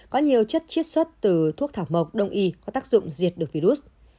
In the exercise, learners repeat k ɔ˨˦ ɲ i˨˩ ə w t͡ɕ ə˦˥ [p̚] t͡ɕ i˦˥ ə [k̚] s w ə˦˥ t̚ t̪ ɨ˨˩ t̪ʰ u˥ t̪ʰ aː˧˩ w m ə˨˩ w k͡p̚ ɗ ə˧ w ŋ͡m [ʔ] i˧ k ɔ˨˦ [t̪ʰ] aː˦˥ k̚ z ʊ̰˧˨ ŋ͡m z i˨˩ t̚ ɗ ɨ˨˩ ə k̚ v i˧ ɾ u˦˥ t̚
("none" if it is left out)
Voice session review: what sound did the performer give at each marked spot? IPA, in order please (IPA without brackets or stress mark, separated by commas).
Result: t̚, t̚, ʔ, t̪